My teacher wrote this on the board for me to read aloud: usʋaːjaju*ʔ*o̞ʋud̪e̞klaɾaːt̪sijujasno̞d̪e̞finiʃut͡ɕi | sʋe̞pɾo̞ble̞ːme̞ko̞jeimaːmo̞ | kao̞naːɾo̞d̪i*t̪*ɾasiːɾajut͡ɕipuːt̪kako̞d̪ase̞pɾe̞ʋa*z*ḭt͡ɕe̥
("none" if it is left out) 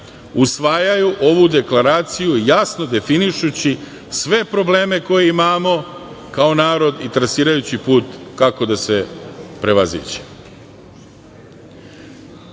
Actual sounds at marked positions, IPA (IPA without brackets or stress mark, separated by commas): ʔ, t̪, z